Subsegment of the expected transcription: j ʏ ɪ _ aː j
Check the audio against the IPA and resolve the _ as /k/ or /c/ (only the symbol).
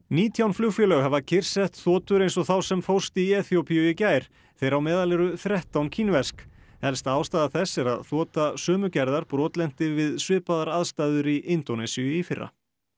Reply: c